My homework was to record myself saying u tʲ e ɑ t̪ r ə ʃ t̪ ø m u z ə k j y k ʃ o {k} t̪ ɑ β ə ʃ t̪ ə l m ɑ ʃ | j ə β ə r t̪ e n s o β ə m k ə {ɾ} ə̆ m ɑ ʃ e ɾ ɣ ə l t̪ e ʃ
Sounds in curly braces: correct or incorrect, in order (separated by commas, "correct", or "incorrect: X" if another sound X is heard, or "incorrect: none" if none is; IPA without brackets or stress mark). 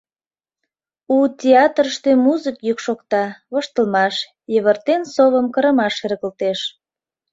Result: correct, correct